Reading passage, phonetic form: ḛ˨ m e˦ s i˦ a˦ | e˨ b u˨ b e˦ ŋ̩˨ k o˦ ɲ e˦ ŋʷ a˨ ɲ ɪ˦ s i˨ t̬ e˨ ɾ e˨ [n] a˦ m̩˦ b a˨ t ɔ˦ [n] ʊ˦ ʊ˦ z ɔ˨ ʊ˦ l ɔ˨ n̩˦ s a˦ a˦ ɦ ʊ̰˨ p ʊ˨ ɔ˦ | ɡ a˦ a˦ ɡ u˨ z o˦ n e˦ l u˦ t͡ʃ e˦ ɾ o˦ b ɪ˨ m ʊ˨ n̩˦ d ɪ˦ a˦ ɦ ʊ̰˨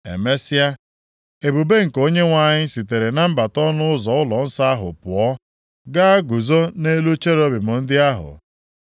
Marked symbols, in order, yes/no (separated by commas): yes, yes